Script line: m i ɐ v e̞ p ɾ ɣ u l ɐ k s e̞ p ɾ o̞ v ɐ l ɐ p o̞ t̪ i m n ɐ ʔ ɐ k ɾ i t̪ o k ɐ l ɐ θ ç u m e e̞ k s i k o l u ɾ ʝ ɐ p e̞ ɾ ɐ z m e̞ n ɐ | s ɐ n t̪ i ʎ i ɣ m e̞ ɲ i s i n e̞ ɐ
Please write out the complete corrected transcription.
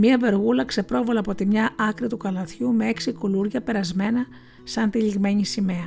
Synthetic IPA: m i ɐ v e̞ ɾ ɣ u l ɐ k s e̞ p ɾ o̞ v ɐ l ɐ p o̞ t̪ i m ɲ ɐ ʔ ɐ k ɾ i t̪ u k ɐ l ɐ θ ç u m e e̞ k s i k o l u ɾ ʝ ɐ p e̞ ɾ ɐ z m e̞ n ɐ | s ɐ n t̪ i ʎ i ɣ m e̞ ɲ i s i m e̞ ɐ